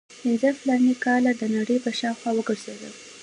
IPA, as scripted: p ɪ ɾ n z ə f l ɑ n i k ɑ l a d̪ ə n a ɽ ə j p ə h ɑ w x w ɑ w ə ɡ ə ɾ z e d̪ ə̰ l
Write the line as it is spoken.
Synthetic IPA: p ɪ n z ə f l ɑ n i k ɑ l a d̪ ə n a ɽ ə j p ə ʃ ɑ w x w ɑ w ə ɡ ə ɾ z e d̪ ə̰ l